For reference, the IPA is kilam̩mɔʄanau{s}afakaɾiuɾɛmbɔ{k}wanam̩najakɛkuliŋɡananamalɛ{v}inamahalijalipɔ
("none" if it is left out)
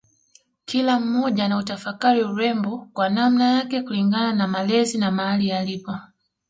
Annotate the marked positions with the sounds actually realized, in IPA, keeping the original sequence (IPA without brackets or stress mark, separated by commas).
t, k, z